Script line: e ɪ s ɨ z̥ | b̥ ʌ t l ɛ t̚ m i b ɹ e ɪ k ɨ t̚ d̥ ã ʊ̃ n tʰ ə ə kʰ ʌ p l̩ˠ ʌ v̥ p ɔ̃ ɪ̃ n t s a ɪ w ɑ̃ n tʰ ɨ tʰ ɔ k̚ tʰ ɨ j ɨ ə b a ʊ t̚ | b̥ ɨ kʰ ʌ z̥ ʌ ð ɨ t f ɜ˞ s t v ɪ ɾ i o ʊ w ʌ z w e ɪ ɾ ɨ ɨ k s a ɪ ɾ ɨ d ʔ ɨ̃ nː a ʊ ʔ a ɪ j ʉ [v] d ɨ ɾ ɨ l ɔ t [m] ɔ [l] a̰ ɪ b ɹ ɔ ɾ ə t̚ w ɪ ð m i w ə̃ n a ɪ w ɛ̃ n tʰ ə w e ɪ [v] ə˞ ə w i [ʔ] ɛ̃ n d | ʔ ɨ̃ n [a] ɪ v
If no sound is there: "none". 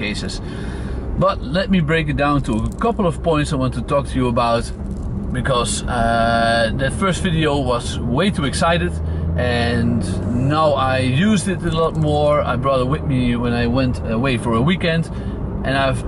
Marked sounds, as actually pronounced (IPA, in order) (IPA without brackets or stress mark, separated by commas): z, m, ɹ, f, k, a